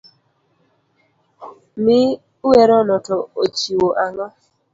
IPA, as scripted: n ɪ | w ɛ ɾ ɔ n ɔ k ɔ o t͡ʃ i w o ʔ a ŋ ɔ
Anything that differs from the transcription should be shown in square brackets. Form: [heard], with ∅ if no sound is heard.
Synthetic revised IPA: [m] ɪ | w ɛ ɾ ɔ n ɔ [t] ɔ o t͡ʃ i w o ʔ a ŋ ɔ